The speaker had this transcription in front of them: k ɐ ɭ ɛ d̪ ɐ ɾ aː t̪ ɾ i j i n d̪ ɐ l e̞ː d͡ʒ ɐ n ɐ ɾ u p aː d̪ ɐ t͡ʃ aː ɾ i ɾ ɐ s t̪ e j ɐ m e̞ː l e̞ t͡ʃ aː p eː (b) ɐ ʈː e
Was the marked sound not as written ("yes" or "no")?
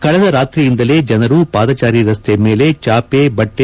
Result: no